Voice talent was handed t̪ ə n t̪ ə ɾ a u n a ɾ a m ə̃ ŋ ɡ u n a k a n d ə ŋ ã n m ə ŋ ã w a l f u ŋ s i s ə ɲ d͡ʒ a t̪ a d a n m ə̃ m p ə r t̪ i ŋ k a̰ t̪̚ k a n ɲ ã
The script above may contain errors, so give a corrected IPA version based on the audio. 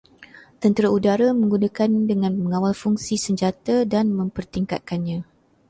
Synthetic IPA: t̪ ə n t̪ ə ɾ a u d a ɾ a m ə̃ ŋ ɡ u n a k a n d ə ŋ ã n m ə ŋ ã w a l f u ŋ s i s ə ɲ d͡ʒ a t̪ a d a n m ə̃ m p ə r t̪ i ŋ k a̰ t̪̚ k a n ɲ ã